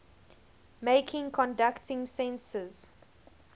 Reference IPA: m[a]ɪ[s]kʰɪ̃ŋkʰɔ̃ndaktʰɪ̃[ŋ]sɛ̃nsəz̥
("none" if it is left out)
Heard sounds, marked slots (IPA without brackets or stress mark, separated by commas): e, none, ŋ